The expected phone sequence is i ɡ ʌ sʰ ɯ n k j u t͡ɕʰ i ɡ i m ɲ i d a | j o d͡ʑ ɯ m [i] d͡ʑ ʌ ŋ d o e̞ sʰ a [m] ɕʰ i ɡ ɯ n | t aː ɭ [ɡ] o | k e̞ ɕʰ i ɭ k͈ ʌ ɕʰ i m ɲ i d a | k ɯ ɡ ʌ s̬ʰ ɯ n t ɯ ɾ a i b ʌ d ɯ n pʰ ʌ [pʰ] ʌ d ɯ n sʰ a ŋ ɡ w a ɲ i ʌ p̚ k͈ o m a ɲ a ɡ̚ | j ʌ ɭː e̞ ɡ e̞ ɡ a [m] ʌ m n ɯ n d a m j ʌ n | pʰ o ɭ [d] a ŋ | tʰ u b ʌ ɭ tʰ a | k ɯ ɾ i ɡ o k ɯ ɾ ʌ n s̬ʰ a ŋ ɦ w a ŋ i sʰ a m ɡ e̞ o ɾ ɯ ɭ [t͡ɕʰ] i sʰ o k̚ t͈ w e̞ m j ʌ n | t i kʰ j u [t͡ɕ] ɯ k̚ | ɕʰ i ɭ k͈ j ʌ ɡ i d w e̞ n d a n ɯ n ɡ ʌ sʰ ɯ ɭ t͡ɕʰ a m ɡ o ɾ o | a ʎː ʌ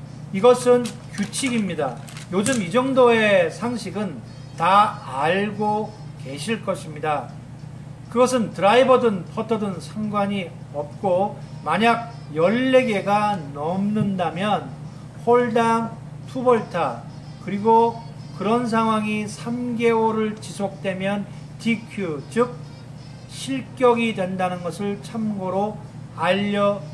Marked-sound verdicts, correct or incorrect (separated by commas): correct, incorrect, correct, incorrect, incorrect, correct, incorrect, correct